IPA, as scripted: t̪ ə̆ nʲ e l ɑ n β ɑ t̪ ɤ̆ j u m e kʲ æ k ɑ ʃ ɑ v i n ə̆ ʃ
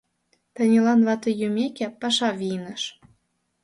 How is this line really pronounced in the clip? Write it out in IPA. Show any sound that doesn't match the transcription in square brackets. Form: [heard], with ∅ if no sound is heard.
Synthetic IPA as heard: t̪ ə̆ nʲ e l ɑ n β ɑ t̪ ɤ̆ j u m e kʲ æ [p] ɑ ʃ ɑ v i n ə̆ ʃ